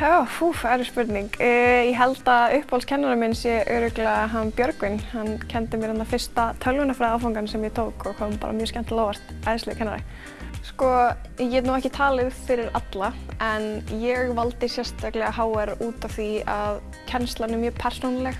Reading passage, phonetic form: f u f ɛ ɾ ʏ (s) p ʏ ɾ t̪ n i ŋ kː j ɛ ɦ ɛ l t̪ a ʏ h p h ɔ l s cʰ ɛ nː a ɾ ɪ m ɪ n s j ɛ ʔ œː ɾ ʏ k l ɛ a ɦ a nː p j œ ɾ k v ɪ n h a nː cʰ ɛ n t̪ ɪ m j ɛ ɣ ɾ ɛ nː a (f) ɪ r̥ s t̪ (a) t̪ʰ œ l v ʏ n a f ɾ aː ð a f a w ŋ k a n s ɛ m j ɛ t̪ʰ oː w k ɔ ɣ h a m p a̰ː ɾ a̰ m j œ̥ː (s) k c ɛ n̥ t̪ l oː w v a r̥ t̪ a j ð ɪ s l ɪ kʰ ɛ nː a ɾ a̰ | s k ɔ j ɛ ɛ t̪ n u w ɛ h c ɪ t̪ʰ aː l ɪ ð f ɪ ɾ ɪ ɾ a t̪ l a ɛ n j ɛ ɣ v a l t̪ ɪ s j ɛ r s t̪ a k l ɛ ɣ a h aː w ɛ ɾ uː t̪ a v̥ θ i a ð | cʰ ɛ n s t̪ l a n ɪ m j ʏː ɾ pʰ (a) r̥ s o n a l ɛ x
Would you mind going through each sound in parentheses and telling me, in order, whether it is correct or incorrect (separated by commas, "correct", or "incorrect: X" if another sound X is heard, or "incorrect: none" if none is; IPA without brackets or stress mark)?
correct, correct, correct, correct, incorrect: ɛ